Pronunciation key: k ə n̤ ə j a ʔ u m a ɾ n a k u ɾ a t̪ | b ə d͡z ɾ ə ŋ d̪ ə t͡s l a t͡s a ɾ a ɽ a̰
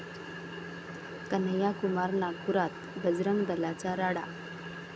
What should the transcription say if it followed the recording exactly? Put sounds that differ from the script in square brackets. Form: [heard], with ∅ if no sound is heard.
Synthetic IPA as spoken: k ə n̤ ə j a [k] u m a ɾ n a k u ɾ a t̪ | b ə d͡z ɾ ə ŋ d̪ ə [∅] l a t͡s a ɾ a ɽ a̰